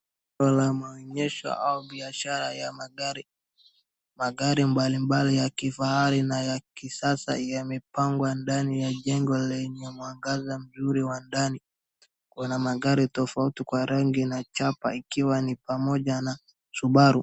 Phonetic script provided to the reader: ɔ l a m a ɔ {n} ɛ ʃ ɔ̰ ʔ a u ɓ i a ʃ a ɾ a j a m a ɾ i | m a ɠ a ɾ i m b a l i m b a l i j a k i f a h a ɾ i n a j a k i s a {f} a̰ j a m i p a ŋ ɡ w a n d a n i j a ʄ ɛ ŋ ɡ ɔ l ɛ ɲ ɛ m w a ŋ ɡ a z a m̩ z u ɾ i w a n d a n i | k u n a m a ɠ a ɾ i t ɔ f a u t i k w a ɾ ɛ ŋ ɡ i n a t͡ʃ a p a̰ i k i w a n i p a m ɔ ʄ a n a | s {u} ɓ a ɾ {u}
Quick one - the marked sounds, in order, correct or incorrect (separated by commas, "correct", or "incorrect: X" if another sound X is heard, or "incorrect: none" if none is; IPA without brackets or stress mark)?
incorrect: ɲ, incorrect: s, correct, correct